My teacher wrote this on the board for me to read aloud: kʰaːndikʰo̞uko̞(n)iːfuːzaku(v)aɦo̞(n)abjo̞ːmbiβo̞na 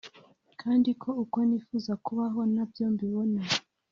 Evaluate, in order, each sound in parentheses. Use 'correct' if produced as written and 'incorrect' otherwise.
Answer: correct, incorrect, correct

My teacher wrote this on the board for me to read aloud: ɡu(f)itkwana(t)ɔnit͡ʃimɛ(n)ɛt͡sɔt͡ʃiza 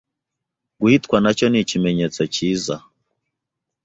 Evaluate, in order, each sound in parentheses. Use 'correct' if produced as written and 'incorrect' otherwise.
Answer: incorrect, incorrect, incorrect

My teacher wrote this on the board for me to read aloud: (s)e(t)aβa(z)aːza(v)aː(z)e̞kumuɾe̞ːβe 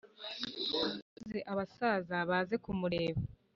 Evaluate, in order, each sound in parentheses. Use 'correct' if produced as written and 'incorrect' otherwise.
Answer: incorrect, incorrect, incorrect, incorrect, correct

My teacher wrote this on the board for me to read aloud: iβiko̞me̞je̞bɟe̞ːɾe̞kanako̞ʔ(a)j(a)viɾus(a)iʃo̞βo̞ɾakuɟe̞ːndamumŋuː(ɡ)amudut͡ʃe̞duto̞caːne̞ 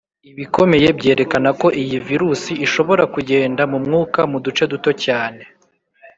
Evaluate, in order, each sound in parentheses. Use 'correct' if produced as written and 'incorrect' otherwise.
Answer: incorrect, incorrect, incorrect, incorrect

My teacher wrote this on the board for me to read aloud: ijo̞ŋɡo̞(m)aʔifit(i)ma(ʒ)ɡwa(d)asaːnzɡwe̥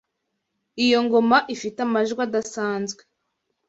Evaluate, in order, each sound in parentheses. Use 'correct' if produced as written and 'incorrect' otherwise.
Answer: correct, incorrect, correct, correct

